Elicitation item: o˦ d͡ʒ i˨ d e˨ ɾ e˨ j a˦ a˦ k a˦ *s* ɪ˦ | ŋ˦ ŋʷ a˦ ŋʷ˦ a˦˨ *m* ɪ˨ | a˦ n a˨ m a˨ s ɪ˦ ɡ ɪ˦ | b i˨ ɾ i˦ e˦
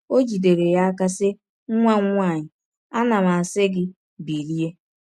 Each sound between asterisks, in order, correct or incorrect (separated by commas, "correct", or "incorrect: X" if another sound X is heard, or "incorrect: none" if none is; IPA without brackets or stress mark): correct, incorrect: ɲ